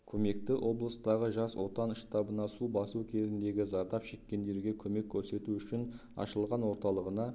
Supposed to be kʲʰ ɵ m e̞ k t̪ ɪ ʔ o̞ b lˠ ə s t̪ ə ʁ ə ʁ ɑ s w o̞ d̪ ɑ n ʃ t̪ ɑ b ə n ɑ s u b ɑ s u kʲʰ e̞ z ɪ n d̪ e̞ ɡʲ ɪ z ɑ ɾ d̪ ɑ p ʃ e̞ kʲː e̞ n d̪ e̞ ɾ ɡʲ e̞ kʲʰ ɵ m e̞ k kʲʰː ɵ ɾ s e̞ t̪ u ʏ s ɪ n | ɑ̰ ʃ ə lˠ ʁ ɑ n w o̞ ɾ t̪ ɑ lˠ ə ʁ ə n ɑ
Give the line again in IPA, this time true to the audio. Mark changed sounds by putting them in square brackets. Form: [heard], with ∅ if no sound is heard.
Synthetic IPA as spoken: kʲʰ ɵ m e̞ k t̪ ɪ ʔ o̞ b lˠ ə s t̪ [ɑ] ʁ ə [ʒ] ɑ s w o̞ [t̪] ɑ n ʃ t̪ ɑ b ə n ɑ s u b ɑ s u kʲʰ e̞ z ɪ n d̪ e̞ ɡʲ ɪ z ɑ ɾ d̪ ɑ p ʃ e̞ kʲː e̞ n d̪ e̞ ɾ ɡʲ e̞ kʲʰ ɵ m e̞ k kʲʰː ɵ ɾ s e̞ t̪ u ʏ [ʃ] ɪ n | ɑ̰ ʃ ə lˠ ʁ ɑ n w o̞ ɾ t̪ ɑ lˠ ə ʁ ə n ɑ